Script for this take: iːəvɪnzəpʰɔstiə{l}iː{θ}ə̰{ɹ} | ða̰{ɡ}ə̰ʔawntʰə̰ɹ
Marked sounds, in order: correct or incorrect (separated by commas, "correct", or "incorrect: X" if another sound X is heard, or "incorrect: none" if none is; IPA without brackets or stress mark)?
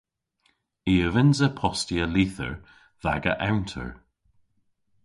correct, correct, correct, correct